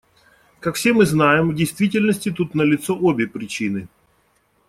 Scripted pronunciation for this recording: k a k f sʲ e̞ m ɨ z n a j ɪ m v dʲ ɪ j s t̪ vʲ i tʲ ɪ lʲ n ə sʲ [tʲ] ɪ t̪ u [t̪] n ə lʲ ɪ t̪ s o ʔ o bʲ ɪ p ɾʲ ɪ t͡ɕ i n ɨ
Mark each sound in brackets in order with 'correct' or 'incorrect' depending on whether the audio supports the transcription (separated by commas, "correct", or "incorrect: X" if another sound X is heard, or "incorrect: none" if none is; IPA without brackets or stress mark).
correct, correct